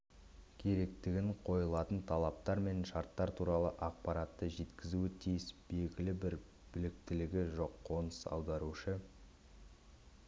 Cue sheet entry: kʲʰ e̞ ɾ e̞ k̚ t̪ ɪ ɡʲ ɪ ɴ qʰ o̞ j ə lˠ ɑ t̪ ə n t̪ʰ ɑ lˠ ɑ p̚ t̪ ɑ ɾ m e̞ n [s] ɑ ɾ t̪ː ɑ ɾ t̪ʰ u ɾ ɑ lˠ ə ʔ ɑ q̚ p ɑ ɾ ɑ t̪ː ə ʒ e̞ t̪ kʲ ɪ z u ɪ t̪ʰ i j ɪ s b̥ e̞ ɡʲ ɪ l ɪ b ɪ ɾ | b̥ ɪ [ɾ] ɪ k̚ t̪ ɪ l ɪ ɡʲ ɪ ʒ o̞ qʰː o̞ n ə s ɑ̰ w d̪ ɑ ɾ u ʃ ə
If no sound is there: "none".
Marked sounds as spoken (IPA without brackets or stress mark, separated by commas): ʃ, l